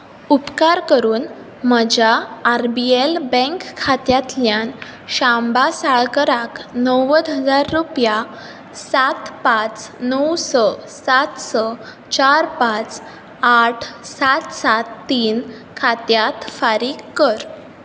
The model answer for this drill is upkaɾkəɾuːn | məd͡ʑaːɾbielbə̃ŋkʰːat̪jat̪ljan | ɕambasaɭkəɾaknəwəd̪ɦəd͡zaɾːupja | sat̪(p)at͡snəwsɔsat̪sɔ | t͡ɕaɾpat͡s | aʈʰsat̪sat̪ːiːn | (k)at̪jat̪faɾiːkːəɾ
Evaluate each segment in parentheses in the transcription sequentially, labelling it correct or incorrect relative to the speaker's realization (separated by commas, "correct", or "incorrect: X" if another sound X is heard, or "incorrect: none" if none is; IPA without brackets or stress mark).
correct, incorrect: kʰ